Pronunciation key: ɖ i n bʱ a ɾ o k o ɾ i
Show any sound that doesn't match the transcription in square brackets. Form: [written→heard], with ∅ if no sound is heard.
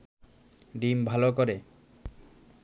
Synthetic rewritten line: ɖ i [n→m] bʱ a [ɾ→l] o k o ɾ [i→e]